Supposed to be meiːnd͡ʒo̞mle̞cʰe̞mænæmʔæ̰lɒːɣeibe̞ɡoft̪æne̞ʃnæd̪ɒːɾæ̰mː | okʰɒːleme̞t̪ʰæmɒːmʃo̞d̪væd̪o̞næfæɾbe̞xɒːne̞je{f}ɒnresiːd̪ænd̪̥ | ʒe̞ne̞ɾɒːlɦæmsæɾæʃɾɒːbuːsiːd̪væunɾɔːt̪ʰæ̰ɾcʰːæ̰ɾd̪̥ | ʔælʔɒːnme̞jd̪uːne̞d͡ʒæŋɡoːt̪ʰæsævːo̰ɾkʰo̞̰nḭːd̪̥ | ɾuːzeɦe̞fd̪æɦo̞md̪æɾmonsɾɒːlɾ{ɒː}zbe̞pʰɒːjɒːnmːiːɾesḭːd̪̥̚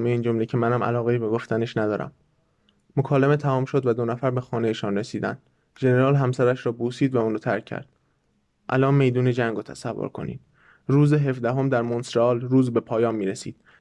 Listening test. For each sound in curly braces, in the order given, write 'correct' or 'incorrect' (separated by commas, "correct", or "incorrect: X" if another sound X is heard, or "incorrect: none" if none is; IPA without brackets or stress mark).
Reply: incorrect: ʃ, incorrect: uː